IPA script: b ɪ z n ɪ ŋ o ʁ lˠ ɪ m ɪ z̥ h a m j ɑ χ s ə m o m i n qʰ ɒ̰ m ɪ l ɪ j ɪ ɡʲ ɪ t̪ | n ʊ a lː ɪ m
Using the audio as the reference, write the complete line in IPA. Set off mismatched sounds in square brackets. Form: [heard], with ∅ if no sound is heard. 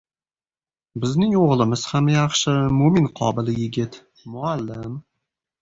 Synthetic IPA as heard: b ɪ z n ɪ ŋ o ʁ lˠ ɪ m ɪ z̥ h a m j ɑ χ [ʃ] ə m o m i n qʰ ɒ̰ [b] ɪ l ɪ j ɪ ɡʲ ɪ t̪ | [m] ʊ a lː ɪ m